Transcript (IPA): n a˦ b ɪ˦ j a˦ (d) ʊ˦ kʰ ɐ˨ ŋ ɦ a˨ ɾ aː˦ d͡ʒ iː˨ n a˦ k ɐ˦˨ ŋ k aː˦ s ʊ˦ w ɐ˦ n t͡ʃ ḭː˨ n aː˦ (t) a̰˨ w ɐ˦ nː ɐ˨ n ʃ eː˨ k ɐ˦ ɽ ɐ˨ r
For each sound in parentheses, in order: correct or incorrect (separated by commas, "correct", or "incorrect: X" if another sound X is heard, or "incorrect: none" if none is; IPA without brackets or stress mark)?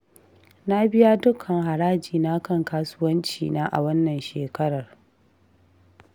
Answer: correct, incorrect: ʔ